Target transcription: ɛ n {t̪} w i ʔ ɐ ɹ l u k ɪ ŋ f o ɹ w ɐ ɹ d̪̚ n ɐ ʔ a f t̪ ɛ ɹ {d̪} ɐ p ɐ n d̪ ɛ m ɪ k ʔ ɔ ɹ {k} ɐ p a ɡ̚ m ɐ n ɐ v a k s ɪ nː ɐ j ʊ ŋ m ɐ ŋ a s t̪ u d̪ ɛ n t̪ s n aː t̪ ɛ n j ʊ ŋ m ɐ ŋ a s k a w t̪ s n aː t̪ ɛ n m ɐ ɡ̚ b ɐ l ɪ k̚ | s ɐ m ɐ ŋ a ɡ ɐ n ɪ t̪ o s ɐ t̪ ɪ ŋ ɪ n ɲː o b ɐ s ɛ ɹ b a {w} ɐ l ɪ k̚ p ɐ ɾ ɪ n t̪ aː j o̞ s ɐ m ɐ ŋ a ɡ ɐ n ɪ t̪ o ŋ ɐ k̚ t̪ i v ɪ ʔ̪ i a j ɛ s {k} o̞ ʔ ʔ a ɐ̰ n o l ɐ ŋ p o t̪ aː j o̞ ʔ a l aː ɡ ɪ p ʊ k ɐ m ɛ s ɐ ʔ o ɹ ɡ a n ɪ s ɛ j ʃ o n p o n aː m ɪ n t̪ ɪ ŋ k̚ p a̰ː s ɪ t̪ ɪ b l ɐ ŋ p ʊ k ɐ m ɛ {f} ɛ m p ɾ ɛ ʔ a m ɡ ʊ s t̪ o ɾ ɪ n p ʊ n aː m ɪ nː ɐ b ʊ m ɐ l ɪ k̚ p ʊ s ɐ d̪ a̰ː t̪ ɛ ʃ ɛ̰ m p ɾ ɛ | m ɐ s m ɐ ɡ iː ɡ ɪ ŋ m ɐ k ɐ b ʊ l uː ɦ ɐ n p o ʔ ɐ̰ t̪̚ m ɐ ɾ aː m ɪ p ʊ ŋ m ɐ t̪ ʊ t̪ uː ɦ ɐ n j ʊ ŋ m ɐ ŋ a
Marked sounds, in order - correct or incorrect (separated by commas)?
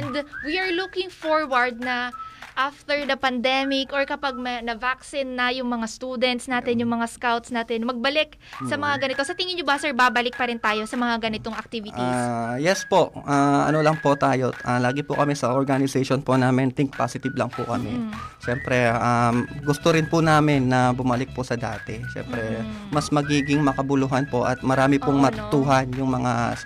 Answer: incorrect, correct, correct, incorrect, incorrect, incorrect